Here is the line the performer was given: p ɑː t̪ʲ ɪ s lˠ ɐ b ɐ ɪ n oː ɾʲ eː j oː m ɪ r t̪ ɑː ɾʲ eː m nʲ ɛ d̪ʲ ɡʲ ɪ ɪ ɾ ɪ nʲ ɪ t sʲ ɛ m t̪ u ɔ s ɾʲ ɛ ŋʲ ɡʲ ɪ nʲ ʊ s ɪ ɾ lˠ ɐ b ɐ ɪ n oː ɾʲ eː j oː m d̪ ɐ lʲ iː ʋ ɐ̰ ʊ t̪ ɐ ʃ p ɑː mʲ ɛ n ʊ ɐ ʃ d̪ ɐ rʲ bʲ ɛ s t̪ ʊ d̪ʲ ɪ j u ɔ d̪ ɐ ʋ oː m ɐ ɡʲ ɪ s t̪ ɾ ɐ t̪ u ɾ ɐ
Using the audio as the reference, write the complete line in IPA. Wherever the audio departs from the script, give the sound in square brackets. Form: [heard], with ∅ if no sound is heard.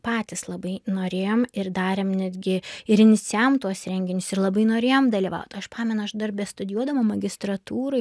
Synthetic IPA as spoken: p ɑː t̪ʲ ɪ s lˠ ɐ b ɐ ɪ n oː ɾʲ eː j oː m ɪ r [d̪] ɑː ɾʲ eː m nʲ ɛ d̪ʲ ɡʲ ɪ ɪ ɾ ɪ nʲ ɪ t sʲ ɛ m t̪ u ɔ s ɾʲ ɛ ŋʲ ɡʲ ɪ nʲ ʊ s ɪ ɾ lˠ ɐ b ɐ ɪ n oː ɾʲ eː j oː m d̪ ɐ lʲ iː ʋ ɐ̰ ʊ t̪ ɐ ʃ p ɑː mʲ ɛ n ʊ ɐ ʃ d̪ ɐ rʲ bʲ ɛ s t̪ ʊ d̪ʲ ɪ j u ɔ d̪ ɐ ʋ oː m ɐ ɡʲ ɪ s t̪ ɾ ɐ t̪ [uː] ɾ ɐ